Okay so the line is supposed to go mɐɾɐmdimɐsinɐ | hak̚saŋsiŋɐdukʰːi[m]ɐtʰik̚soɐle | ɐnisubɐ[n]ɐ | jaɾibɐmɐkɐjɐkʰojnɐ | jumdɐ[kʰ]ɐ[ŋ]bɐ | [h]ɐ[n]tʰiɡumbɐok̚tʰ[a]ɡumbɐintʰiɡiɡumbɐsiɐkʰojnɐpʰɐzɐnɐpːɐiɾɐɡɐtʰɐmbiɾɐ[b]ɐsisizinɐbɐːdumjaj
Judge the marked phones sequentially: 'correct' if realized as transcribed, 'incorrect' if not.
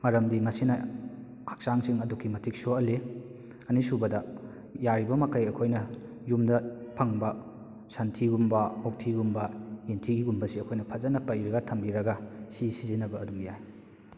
correct, incorrect: d, incorrect: pʰ, correct, incorrect: s, correct, incorrect: i, incorrect: ɡ

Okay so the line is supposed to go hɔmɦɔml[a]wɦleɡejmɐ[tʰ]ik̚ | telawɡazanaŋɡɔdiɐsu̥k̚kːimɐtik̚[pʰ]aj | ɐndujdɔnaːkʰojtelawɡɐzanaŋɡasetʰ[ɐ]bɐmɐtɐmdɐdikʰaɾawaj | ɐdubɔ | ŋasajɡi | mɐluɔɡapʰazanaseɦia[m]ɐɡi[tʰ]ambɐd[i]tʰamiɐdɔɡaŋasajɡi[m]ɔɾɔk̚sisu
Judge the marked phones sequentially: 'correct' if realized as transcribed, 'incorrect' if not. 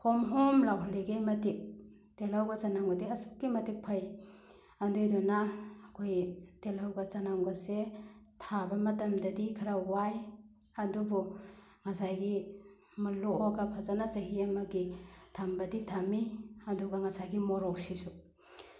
correct, incorrect: t, correct, incorrect: a, correct, correct, correct, correct

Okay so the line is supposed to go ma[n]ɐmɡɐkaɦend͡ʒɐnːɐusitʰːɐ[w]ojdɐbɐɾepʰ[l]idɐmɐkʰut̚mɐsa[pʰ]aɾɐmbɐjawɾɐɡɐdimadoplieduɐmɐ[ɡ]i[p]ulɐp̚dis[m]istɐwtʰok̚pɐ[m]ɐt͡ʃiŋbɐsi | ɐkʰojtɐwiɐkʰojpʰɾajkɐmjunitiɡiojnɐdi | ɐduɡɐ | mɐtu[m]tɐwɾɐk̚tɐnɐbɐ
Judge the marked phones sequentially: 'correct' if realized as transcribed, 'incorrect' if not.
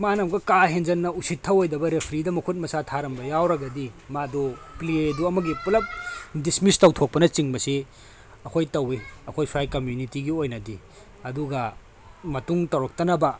correct, correct, incorrect: ɾ, incorrect: tʰ, correct, correct, correct, incorrect: n, incorrect: ŋ

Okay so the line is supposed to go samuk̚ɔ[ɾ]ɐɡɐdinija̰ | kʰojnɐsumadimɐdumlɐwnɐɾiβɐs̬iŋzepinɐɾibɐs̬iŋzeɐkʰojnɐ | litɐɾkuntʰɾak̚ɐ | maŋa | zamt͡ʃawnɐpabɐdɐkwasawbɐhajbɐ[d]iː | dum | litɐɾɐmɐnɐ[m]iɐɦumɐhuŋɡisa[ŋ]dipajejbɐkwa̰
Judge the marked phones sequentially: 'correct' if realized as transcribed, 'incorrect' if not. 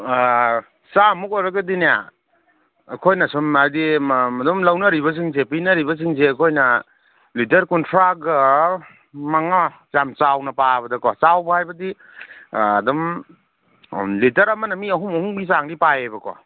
correct, correct, correct, correct

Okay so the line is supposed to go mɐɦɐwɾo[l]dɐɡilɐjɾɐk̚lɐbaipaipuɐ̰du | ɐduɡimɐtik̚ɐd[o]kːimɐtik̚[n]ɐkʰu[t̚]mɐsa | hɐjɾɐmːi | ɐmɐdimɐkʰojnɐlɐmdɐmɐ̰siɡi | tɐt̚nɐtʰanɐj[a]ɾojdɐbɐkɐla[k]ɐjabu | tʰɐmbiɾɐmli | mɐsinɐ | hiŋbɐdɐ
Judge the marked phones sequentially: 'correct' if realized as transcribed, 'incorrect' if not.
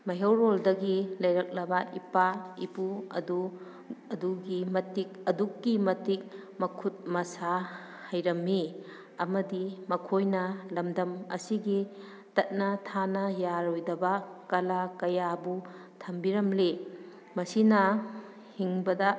correct, incorrect: u, incorrect: m, correct, correct, correct

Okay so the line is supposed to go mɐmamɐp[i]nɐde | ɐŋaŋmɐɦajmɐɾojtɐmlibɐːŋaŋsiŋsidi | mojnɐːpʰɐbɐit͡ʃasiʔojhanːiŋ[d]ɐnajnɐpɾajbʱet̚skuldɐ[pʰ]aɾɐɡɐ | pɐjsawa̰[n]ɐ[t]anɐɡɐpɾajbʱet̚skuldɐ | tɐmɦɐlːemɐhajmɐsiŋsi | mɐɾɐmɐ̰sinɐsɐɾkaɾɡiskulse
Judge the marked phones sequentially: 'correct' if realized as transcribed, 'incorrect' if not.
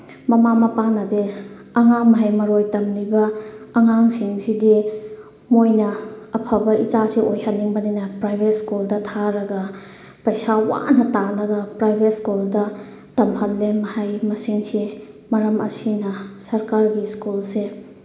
incorrect: a, incorrect: b, incorrect: tʰ, correct, correct

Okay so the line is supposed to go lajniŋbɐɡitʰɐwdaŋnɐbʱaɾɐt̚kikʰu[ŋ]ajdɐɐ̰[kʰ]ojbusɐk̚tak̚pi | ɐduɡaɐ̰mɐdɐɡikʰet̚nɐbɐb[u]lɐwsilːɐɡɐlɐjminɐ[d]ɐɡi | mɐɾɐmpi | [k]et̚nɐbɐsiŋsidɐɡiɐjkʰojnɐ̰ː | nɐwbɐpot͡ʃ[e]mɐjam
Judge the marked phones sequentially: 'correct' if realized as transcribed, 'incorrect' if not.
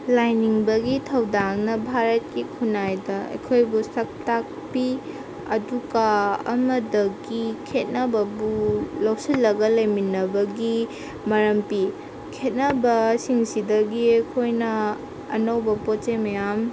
incorrect: n, correct, correct, incorrect: b, incorrect: kʰ, correct

